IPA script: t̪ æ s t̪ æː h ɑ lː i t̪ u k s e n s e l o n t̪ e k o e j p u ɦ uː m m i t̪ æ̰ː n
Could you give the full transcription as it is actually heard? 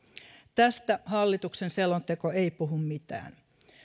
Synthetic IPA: t̪ æ s t̪ æ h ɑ lː i t̪ u k s e n s e l o n t̪ e k o e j p u ɦ u m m i t̪ æ̰ː n